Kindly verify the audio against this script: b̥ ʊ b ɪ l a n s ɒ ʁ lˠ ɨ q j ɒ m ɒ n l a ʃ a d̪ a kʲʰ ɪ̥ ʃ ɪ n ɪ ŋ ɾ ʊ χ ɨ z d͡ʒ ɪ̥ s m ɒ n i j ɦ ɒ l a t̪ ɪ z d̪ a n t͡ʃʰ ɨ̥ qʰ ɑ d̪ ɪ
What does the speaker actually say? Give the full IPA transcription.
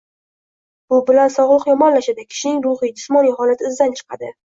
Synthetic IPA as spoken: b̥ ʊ b ɪ l a n s ɒ ʁ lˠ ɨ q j ɒ m ɒ n l a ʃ a d̪ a kʲʰ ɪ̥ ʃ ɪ n ɪ ŋ ɾ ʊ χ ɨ d͡ʒ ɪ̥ s m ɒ n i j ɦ ɒ l a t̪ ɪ z d̪ a n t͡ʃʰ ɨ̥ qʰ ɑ d̪ ɪ